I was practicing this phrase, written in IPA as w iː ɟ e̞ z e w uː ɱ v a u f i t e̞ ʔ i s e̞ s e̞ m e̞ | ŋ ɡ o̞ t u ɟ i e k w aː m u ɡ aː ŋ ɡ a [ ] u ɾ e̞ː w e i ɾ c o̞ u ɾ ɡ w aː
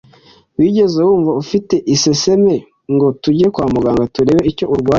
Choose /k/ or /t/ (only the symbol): t